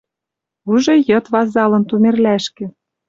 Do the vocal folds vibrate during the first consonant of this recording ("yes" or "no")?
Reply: yes